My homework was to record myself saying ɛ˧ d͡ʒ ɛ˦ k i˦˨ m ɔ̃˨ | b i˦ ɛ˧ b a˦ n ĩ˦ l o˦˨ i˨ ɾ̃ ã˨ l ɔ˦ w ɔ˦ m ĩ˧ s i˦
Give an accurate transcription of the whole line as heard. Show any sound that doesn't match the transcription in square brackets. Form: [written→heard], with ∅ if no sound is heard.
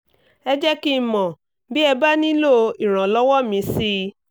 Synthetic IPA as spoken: ɛ˧ d͡ʒ ɛ˦ k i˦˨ m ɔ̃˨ | b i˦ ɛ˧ b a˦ n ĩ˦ l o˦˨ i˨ ɾ̃ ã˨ l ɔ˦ w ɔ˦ m ĩ˧ s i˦